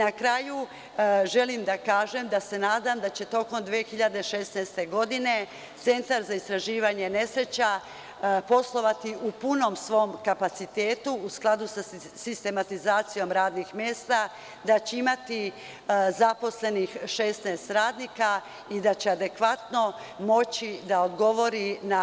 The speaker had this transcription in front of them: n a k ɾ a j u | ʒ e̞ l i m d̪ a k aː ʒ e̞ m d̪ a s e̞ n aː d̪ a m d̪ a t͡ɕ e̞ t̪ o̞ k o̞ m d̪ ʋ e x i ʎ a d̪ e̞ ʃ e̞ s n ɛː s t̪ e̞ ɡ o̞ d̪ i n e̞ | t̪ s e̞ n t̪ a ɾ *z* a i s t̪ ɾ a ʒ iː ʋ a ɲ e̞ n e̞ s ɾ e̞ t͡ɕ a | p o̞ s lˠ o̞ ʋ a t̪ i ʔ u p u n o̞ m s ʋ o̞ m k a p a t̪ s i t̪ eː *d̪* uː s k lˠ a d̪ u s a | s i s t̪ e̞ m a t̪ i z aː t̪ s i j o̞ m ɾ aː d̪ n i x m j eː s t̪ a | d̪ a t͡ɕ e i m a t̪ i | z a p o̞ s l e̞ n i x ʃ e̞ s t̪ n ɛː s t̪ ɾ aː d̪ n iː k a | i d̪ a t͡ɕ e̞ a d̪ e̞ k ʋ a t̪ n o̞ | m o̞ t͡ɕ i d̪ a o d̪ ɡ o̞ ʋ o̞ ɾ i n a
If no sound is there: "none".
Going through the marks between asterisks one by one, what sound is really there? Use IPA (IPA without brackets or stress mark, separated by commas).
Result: z, t̪